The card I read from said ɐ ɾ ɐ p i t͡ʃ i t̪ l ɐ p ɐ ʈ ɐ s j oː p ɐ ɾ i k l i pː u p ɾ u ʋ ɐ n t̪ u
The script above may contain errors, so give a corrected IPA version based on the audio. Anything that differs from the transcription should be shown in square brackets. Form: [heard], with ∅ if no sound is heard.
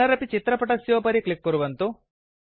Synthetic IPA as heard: ɐ ɾ ɐ p i t͡ʃ i t̪ [ɾ] ɐ p ɐ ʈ ɐ s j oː p ɐ ɾ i k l i [kː] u [∅] ɾ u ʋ ɐ n t̪ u